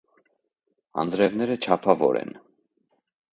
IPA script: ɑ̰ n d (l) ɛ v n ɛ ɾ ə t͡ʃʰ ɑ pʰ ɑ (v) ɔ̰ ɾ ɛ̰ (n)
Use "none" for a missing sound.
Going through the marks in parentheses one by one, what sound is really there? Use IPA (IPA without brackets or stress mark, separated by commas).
ɾ, v, n